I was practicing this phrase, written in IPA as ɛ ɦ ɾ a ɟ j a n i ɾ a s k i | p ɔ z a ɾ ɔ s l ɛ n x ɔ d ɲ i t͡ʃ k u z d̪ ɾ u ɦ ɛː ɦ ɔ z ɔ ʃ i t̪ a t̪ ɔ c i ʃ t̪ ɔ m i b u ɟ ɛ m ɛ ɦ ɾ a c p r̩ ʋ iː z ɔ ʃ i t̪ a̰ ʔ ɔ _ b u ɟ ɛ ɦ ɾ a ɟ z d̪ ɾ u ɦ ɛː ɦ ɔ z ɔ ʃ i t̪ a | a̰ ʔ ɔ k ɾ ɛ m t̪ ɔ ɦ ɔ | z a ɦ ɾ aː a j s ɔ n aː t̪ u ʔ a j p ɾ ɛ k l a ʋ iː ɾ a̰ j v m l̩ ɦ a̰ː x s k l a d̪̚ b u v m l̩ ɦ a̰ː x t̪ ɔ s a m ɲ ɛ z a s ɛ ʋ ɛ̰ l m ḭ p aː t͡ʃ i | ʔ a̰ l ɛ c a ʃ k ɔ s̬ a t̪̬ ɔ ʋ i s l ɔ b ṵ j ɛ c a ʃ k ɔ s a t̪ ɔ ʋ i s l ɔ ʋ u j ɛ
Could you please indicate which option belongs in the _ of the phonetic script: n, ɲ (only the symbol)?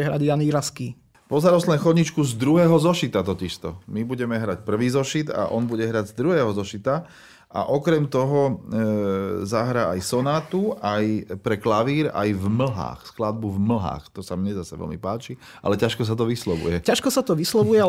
n